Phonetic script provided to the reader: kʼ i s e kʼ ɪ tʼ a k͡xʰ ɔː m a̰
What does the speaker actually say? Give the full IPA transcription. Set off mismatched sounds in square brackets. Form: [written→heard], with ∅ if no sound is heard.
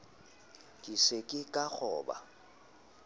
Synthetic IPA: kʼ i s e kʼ ɪ [tʼ→kʼ] a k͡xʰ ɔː [m→b] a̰